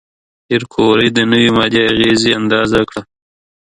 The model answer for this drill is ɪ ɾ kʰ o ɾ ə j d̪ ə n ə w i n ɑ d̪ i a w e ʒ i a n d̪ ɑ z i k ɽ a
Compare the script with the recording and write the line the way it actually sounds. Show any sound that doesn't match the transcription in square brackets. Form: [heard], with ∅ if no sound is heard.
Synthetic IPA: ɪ ɾ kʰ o ɾ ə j d̪ ə n ə w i [m] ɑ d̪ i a [ɣ] e [z] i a n d̪ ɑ z [a] k ɽ a